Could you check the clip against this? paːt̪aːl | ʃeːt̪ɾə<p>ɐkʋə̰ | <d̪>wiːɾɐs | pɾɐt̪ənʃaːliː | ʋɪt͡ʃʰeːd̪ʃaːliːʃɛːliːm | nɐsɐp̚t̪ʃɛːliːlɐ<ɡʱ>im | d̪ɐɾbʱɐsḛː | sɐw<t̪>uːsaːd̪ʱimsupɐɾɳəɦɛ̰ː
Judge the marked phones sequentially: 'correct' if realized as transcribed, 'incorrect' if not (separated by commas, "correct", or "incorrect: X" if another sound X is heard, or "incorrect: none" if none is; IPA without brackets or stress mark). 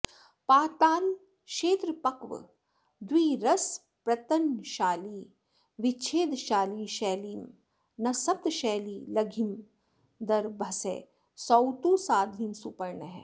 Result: correct, correct, correct, correct